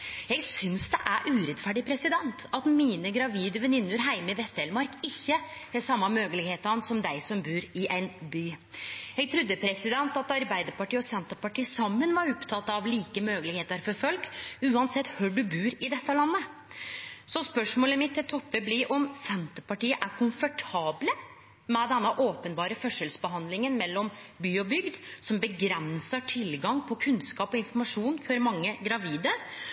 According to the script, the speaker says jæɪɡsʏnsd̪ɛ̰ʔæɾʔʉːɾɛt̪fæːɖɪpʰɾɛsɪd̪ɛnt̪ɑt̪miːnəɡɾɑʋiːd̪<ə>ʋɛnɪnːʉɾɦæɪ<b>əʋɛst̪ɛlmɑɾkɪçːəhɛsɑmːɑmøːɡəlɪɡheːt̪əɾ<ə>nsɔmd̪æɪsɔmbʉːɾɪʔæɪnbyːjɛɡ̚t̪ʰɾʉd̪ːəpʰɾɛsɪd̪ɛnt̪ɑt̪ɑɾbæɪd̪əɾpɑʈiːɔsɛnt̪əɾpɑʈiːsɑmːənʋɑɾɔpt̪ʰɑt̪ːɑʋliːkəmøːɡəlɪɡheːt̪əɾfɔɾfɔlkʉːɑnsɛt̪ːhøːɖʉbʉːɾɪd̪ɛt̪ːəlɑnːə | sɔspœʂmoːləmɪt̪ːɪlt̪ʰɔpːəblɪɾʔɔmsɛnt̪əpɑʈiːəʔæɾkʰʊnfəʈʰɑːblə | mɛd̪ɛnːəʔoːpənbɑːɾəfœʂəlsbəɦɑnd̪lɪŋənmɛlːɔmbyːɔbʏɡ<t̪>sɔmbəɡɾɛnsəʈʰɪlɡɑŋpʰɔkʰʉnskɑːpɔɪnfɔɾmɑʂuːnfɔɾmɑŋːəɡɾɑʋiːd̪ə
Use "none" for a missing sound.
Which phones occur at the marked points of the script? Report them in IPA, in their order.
ə, m, ɑ, d̪

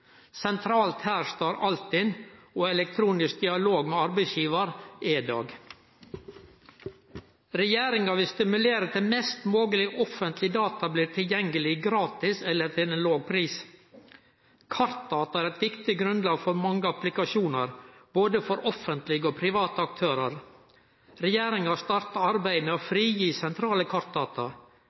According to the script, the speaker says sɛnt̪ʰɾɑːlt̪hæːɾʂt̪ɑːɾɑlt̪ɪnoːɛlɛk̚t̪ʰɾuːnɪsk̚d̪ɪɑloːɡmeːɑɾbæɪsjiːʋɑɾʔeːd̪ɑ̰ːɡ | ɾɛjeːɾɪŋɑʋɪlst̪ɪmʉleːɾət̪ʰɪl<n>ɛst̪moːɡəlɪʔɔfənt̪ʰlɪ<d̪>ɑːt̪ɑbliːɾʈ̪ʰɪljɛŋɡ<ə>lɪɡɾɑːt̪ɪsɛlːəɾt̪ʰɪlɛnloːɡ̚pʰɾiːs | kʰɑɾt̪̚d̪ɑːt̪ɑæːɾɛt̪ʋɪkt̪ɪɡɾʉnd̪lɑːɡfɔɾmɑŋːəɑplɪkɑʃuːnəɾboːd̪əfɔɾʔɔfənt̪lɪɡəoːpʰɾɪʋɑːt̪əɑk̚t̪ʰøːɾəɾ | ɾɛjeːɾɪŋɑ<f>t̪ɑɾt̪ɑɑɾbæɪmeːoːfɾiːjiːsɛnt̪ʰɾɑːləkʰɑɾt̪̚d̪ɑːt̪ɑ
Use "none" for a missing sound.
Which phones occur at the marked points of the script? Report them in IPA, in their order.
m, d̪, ə, s

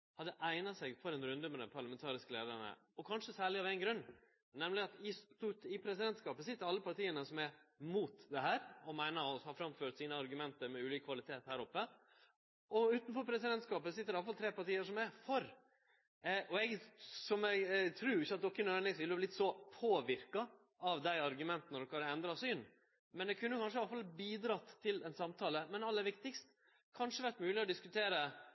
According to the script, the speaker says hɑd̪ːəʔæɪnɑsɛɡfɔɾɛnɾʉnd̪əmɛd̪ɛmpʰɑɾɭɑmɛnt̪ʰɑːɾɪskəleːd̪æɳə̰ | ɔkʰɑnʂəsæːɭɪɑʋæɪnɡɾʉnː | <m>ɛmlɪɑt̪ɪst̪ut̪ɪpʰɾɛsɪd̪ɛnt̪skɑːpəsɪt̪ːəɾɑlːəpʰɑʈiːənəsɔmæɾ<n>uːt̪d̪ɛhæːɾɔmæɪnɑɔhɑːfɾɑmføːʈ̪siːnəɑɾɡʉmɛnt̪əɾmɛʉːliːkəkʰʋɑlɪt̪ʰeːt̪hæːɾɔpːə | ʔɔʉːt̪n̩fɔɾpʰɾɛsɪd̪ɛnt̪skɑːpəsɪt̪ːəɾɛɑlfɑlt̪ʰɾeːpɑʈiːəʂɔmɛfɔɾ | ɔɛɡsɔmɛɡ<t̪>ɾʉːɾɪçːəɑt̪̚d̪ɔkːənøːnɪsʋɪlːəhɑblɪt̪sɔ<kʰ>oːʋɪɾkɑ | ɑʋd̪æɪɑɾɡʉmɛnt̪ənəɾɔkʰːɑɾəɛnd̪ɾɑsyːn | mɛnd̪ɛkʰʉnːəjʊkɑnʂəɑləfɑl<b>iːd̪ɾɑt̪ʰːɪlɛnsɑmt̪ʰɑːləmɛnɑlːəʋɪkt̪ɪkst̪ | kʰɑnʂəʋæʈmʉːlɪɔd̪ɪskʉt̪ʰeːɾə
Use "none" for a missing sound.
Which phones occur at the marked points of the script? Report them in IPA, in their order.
n, m, t̪ʰ, pʰ, b

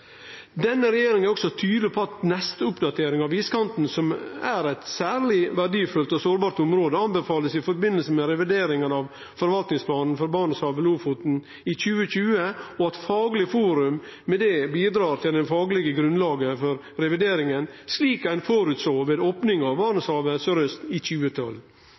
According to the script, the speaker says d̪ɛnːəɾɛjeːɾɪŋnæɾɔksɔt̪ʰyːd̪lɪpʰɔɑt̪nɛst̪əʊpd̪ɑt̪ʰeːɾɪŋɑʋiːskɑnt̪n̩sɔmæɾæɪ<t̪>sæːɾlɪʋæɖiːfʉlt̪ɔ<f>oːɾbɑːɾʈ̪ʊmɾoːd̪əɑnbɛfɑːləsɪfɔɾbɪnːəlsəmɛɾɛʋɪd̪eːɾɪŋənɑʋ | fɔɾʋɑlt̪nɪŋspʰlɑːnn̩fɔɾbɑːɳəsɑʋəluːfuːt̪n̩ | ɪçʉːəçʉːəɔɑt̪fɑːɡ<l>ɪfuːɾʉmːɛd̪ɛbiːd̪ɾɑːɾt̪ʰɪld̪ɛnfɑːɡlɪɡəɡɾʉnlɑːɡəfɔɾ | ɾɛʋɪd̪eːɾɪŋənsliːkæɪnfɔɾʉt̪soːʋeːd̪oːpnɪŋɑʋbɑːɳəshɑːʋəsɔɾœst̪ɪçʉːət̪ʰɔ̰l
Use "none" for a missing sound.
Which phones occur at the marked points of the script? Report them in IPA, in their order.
t̪, s, l

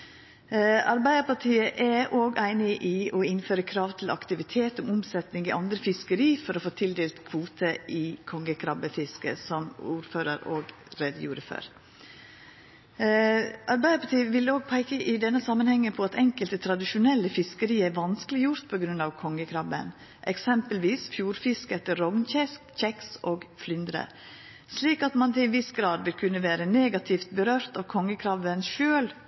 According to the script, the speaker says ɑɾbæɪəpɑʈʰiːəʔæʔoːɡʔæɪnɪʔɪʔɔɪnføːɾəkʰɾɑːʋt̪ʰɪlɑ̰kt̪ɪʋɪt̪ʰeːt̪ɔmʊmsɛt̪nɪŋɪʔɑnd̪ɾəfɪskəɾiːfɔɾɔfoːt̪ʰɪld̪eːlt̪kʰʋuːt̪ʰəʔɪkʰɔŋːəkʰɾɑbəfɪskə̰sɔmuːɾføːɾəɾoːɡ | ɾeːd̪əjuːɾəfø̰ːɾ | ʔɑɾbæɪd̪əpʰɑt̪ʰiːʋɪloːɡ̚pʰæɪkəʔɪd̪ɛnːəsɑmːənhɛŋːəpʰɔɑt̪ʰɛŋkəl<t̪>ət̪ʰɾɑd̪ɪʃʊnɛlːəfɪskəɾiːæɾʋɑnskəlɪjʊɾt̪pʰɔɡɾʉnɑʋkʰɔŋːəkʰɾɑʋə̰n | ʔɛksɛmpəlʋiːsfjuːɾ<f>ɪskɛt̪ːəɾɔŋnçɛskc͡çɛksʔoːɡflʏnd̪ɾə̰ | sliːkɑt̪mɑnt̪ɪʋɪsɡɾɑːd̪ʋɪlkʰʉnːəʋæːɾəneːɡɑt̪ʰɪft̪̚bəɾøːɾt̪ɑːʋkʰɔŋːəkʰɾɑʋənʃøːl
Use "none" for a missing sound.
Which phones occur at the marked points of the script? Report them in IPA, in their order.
t̪, f

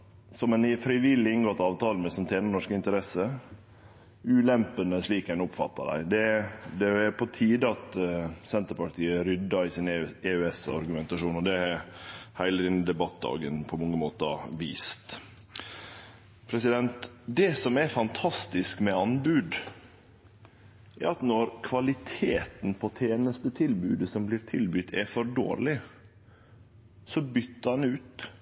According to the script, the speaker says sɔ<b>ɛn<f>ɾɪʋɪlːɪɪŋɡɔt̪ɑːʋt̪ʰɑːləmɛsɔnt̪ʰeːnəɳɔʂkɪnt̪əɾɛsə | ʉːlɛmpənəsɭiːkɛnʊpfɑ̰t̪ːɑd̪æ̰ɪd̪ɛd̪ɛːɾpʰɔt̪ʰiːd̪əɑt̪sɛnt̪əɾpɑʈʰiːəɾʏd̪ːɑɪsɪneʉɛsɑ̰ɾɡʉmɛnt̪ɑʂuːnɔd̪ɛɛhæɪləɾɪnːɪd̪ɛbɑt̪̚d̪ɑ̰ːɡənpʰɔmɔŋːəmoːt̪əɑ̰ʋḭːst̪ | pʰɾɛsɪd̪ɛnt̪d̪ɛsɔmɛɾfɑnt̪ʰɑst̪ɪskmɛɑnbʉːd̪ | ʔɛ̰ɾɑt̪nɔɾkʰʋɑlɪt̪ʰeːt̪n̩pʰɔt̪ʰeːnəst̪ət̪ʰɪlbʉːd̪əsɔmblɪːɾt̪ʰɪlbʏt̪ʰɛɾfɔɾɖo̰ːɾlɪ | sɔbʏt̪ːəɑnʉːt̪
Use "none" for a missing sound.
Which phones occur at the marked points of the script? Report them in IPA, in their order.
m, f

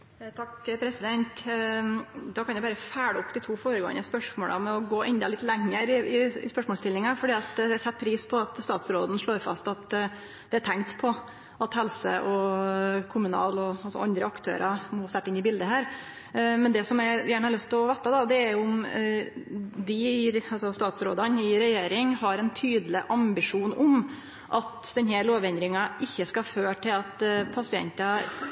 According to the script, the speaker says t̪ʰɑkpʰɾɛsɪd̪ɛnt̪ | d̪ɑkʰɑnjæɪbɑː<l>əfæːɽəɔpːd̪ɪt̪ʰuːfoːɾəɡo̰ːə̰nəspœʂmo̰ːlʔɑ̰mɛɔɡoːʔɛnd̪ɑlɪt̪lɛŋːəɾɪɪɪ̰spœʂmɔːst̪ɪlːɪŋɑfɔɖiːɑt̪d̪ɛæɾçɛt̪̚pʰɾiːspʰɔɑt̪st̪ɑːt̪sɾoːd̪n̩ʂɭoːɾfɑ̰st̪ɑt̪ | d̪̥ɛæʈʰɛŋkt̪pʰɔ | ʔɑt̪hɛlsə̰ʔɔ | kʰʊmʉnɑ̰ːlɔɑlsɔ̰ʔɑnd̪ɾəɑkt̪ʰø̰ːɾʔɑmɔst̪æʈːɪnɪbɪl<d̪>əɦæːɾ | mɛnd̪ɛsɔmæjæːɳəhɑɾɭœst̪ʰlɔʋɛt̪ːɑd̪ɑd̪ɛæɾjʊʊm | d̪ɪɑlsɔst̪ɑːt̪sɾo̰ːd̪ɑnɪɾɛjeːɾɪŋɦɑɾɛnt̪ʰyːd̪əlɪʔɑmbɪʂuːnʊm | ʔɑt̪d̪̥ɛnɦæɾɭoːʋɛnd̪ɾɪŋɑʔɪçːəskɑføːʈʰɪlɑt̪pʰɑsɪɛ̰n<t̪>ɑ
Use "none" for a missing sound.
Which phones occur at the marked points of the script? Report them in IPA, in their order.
ɾ, d̪, t̪

